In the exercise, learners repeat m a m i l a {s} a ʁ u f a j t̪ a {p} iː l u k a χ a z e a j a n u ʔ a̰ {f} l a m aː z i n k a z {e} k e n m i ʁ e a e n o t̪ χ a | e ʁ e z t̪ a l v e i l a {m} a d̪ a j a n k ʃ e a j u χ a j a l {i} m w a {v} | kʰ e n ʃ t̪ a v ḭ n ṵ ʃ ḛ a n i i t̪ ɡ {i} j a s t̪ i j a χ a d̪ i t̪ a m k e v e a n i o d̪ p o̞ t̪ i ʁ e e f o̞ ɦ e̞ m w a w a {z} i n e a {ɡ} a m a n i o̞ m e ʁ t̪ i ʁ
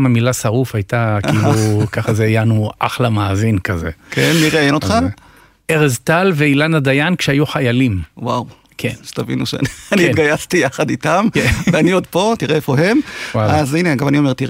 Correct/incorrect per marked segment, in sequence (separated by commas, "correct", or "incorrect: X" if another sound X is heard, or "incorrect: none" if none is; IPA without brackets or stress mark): correct, incorrect: k, incorrect: χ, correct, incorrect: n, correct, incorrect: w, incorrect: a, correct, correct